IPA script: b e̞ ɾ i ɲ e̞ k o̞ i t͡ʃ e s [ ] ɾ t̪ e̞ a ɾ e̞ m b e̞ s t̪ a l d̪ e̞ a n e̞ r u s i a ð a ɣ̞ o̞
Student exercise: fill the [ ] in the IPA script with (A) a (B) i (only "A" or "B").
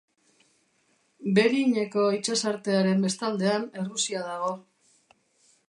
A